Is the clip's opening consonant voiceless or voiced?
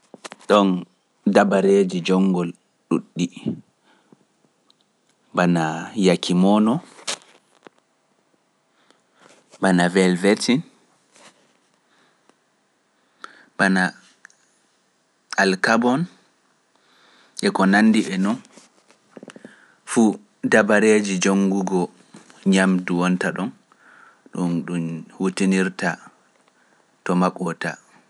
voiced